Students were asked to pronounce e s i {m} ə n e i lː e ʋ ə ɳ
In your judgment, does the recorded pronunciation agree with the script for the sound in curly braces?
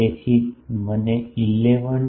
yes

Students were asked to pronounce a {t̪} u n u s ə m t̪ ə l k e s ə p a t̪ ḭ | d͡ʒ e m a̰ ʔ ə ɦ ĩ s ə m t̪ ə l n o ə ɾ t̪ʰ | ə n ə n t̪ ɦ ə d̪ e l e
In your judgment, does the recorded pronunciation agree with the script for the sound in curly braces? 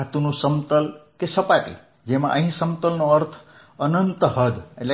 yes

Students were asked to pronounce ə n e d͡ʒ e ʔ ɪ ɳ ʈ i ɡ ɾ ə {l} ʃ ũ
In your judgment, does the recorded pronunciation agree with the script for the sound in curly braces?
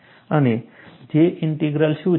yes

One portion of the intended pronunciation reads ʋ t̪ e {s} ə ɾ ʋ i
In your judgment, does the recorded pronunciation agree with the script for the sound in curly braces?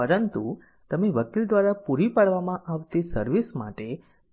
yes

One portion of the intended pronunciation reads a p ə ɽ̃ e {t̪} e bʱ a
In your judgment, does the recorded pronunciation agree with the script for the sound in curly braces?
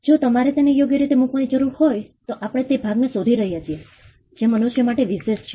yes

